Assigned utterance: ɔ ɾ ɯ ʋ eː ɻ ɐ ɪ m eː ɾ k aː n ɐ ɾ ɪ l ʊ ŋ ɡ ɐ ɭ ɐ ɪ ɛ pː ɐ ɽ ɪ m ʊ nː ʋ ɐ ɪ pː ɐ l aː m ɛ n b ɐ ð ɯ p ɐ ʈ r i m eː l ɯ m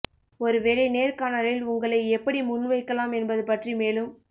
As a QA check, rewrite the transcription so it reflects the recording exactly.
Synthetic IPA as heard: ɔ ɾ ɯ ʋ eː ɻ ɐ ɪ n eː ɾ k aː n ɐ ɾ ɪ l ʊ ŋ ɡ ɐ ɭ ɐ ɪ ɛ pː ɐ ɽ i m ʊ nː ʋ ɐ ɪ kː ɐ l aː m ɛ n b ɐ ð ɯ p ɐ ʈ r i m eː l ɯ m